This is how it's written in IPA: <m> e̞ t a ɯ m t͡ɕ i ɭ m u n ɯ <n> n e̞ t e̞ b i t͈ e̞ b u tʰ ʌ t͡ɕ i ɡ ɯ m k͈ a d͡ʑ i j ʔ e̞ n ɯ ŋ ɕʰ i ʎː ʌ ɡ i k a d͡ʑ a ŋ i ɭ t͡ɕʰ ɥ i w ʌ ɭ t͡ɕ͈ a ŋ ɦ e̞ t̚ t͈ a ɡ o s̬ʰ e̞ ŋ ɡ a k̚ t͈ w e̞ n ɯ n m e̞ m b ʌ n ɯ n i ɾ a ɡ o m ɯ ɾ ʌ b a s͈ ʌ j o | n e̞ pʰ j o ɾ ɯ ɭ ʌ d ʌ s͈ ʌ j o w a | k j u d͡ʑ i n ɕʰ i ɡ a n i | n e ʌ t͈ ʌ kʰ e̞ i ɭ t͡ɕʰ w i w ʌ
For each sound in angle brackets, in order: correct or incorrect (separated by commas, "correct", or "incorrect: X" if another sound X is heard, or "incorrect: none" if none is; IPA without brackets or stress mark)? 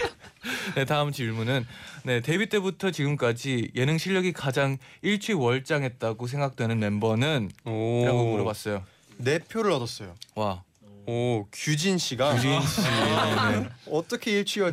incorrect: n, correct